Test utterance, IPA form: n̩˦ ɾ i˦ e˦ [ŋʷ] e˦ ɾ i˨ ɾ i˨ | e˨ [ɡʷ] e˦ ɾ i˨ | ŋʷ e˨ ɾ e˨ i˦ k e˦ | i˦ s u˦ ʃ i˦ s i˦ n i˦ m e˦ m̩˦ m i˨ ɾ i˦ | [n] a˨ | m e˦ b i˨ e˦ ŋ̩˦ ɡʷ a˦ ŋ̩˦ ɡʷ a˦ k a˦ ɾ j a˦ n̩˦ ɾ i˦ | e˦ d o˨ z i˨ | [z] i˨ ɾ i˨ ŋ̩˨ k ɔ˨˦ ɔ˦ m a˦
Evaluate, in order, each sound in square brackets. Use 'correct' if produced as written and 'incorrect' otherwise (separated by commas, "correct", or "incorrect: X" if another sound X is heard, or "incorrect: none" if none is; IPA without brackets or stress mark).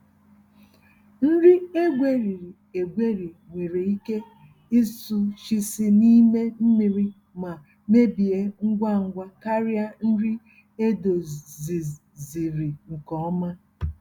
incorrect: ɡʷ, correct, incorrect: m, correct